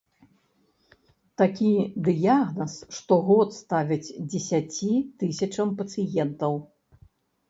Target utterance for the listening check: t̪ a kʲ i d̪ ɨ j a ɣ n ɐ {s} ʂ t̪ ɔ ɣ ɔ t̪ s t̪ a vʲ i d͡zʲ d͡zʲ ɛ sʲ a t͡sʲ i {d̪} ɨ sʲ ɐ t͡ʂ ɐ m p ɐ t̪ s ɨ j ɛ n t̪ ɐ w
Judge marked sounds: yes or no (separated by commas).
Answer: yes, no